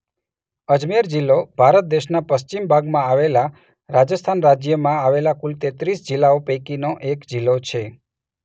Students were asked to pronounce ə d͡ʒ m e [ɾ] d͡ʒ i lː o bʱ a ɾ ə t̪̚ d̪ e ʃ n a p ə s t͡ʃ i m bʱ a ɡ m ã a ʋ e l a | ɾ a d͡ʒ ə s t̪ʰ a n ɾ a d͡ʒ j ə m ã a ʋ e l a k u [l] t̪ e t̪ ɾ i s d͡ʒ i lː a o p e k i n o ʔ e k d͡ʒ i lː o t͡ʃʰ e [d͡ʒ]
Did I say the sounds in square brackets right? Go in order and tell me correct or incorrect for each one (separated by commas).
correct, correct, incorrect